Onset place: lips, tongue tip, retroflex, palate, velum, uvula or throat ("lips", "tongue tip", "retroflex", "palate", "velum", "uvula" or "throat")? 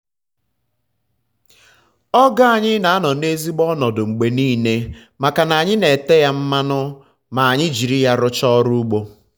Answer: velum